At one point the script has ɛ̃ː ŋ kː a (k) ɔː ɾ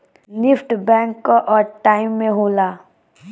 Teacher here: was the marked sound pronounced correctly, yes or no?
no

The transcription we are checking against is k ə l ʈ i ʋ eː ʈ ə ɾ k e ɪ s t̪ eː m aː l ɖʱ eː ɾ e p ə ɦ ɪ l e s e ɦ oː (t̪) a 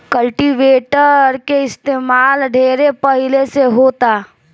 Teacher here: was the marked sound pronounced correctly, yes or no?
yes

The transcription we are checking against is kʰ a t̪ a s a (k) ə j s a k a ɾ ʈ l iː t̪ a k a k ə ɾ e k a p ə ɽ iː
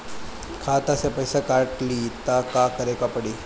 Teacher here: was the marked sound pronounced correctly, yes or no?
no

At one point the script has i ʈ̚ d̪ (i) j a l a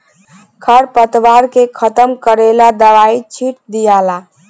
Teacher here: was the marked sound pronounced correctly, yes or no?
yes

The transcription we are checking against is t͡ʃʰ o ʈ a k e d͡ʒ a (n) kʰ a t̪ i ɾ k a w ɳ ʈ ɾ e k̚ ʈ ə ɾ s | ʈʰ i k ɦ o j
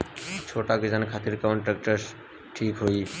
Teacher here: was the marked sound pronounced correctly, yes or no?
yes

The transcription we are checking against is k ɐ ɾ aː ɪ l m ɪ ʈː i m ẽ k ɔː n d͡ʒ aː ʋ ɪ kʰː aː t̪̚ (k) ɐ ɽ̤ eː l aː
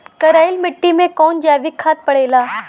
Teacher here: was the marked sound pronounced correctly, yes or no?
no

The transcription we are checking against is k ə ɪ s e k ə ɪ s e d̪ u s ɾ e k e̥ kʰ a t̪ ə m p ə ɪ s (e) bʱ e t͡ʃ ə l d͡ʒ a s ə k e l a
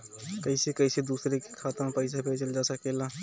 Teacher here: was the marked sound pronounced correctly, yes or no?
no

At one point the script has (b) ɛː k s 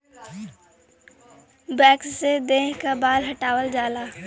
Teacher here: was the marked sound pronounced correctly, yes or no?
yes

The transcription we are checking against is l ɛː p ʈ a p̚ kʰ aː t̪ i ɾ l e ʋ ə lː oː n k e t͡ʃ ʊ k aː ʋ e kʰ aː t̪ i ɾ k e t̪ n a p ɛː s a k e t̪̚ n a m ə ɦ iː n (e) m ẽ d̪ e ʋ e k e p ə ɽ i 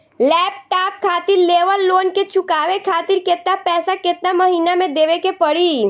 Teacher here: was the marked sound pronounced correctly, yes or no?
no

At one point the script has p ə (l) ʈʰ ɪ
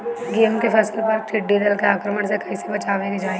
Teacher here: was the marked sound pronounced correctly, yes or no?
no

